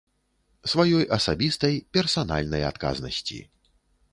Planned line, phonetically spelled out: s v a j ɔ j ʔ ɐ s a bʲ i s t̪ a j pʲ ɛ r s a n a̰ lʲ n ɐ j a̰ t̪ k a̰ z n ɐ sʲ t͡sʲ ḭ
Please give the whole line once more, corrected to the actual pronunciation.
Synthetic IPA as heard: s v a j ɔ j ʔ ɐ s a bʲ i s t̪ ɐ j pʲ ɛ r s a n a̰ lʲ n ɐ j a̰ t̪ k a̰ z n ɐ sʲ t͡sʲ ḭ